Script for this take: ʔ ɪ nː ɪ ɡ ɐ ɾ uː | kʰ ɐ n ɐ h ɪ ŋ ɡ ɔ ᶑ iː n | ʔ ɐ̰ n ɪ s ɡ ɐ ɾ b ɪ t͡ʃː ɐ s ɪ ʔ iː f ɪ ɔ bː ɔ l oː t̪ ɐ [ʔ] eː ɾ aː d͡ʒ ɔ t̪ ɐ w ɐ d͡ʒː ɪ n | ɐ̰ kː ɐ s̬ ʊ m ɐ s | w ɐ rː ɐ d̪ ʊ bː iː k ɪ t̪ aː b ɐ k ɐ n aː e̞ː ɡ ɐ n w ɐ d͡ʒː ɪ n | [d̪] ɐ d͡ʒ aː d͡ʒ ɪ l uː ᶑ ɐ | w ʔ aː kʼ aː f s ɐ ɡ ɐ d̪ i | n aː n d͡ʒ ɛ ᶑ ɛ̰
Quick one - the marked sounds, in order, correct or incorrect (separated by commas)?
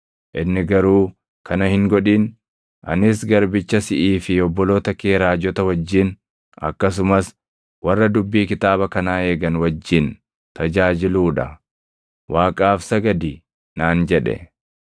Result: incorrect, incorrect